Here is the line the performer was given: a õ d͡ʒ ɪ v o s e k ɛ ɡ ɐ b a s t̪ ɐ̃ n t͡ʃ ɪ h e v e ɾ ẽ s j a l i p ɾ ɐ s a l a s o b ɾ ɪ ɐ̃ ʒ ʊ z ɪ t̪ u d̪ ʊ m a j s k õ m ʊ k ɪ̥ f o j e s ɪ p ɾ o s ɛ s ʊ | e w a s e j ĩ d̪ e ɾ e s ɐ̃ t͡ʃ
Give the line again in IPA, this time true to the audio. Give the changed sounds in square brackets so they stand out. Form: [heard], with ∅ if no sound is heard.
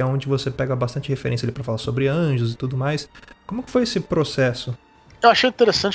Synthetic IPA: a õ d͡ʒ ɪ v o s e [p] ɛ ɡ ɐ b a s t̪ ɐ̃ n t͡ʃ ɪ h e [f] e ɾ ẽ s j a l i p ɾ ɐ [f] a l a s o b ɾ ɪ ɐ̃ ʒ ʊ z ɪ t̪ u d̪ ʊ m a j s k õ m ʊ k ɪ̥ f o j e s ɪ p ɾ o s ɛ s ʊ | e w a [ʃ] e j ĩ [t̪] e ɾ e s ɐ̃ t͡ʃ